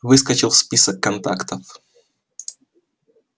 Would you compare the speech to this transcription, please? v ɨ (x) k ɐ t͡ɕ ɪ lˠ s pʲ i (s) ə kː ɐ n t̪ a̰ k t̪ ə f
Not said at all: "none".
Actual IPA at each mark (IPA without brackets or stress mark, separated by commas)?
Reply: s, s